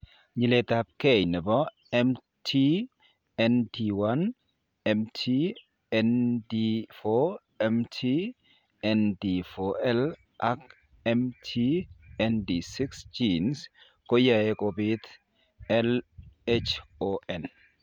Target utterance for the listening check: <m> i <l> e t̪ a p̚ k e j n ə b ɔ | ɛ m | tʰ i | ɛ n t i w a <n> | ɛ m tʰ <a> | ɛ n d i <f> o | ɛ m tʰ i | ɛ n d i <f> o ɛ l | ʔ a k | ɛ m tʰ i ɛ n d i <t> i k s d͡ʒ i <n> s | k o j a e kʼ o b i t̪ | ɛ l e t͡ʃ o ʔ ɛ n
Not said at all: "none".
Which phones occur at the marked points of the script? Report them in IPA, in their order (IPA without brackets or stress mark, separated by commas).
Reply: ɲ, l, n, i, f, f, s, n